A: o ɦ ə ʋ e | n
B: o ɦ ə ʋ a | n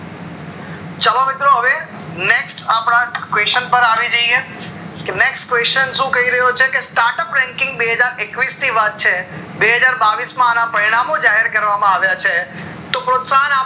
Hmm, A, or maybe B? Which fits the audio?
A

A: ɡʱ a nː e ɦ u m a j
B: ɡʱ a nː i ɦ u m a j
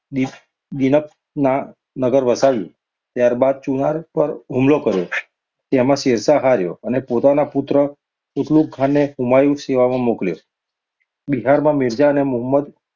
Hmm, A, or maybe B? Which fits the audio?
A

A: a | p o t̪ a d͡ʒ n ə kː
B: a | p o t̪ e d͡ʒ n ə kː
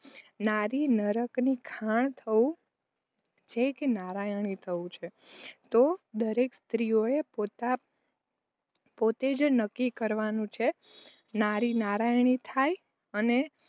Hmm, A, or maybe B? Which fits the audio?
B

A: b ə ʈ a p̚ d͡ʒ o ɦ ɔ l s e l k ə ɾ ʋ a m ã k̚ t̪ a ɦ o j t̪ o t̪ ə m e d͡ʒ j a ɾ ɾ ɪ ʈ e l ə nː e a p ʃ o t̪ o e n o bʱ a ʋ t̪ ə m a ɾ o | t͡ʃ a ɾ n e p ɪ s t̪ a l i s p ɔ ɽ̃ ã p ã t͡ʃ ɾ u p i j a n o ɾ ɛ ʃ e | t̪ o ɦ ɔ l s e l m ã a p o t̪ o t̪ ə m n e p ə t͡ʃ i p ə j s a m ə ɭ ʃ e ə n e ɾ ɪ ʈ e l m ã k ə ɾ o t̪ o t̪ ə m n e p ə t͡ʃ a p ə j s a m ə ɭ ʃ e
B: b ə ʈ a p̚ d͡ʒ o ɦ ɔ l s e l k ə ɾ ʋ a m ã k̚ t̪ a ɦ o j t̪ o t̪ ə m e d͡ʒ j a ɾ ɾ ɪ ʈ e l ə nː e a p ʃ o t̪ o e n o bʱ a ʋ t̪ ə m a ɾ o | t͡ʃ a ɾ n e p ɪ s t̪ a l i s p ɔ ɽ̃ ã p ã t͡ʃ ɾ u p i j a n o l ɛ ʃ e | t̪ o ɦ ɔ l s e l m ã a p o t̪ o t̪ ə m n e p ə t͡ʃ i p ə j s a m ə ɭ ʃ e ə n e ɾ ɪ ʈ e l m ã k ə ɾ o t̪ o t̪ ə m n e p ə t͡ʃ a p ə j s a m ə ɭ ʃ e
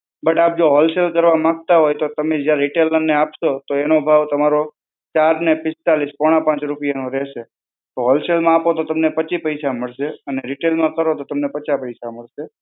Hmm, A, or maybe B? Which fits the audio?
A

